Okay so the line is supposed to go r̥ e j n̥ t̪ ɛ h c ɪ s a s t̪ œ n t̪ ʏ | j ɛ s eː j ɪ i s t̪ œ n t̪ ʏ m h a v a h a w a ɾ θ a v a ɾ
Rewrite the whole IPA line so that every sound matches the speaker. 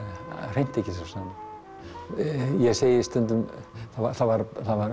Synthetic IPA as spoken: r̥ e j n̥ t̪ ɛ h c ɪ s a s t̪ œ n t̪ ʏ | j ɛ s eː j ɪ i s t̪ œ n t̪ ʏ m θ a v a θ a v a ɾ θ a v a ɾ